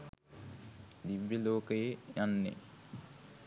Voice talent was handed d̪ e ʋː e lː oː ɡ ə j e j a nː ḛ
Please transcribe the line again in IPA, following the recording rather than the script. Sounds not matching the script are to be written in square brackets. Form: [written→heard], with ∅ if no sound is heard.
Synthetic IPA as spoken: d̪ [e→i] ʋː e [lː→l] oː [ɡ→k] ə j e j a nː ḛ

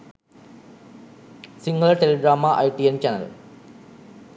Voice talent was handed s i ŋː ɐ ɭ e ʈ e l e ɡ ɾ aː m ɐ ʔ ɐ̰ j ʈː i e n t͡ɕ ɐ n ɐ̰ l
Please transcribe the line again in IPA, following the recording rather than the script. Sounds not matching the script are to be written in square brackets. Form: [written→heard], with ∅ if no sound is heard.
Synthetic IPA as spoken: s i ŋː ɐ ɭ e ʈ e l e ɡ ɾ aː m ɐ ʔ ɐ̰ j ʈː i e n t͡ɕ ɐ n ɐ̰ l

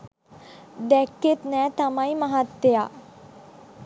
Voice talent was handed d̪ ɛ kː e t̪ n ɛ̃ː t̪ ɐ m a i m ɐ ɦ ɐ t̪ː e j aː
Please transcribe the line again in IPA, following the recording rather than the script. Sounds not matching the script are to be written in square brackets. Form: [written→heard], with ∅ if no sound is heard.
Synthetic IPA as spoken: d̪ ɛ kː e t̪ n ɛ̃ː t̪ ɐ m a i m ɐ ɦ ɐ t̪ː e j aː

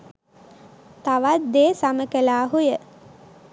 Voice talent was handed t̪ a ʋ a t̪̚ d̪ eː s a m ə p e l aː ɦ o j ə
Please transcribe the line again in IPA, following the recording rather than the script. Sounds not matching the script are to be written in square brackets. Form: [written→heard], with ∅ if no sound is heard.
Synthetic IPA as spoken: t̪ a ʋ a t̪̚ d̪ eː s a m ə [p→k] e l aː ɦ [o→u] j ə

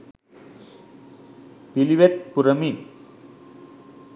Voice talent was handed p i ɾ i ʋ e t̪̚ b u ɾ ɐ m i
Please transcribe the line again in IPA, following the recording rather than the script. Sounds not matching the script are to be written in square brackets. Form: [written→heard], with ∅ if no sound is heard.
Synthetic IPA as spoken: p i [ɾ→l] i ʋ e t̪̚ [b→p] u ɾ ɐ m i

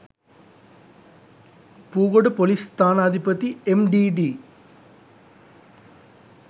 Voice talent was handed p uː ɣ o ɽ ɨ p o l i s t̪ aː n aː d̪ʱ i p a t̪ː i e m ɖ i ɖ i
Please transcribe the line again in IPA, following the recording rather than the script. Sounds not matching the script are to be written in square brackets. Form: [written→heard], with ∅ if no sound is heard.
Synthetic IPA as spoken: p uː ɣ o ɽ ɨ p o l i s t̪ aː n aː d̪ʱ i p [a→ɐ] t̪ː i e m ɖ i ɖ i

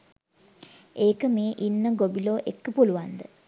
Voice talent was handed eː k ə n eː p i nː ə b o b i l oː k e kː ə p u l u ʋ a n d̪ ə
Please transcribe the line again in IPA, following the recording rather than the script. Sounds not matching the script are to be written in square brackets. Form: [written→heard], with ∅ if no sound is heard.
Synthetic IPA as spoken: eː k ə [n→m] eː [p→ʔ] i nː ə [b→ɡ] o b i l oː [k→ʔ] e kː ə p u l u ʋ a n d̪ ə

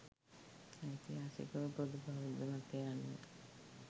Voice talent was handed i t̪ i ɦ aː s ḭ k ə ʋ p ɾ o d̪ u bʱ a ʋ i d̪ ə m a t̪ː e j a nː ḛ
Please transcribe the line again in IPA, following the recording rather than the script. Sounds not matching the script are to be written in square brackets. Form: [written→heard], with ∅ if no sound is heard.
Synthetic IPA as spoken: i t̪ i ɦ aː s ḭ k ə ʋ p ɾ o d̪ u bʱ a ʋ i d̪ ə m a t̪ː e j a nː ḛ

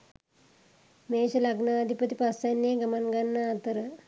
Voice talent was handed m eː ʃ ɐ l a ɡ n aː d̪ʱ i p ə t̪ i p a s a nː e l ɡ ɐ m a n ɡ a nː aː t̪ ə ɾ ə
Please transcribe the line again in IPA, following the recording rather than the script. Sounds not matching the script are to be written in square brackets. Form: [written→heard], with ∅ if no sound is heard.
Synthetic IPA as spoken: m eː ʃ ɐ l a ɡ n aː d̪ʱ i p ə t̪ i p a s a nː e [l→∅] ɡ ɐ m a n ɡ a nː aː t̪ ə ɾ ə

